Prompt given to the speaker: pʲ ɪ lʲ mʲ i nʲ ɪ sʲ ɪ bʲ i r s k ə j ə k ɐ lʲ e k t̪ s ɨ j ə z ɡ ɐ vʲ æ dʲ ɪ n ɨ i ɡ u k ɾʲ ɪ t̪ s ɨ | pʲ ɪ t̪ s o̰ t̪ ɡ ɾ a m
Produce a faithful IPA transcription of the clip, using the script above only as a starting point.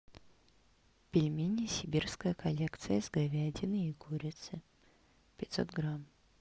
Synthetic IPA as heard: pʲ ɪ lʲ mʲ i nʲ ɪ sʲ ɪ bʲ i r s k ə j ə k ɐ lʲ e k t̪ s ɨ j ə z ɡ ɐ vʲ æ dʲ ɪ n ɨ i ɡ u ɾʲ ɪ t̪ s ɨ | pʲ ɪ t̪ s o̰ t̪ ɡ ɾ a m